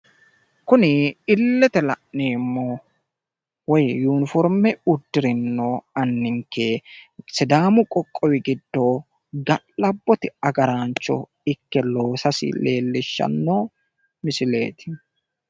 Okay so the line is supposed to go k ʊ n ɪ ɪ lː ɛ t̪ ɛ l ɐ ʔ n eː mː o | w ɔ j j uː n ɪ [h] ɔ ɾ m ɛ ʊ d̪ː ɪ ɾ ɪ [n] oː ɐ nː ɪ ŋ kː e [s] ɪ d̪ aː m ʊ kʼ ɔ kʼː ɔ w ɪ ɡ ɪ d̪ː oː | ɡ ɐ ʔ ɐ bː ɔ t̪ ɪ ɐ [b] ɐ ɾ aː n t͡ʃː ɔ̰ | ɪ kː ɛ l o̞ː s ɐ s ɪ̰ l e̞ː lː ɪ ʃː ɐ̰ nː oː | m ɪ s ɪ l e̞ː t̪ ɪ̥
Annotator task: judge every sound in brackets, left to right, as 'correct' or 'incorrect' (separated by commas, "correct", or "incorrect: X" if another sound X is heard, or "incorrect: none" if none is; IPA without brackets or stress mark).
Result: incorrect: f, incorrect: nː, correct, incorrect: ɡ